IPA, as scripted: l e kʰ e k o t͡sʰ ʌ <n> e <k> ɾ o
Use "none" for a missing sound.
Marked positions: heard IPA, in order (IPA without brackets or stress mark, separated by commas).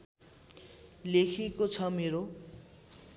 m, none